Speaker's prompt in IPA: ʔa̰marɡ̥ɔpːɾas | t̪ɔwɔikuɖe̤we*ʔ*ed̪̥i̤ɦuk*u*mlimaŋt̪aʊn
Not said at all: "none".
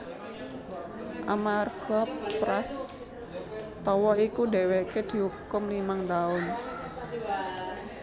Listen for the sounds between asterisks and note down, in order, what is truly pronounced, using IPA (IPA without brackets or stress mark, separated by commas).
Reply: k, ʊ